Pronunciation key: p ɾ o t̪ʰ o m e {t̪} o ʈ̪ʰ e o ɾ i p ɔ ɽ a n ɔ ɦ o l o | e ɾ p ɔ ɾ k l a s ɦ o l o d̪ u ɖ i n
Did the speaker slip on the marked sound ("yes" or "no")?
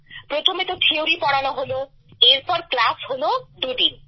no